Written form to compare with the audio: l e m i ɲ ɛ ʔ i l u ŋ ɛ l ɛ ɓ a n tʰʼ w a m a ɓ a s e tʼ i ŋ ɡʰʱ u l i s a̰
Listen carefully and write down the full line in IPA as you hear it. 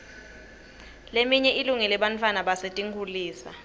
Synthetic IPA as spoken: l e m i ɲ ɛ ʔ i l u ŋ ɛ l ɛ ɓ a n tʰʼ w a n a ɓ a s e tʼ i ŋ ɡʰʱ u l iː s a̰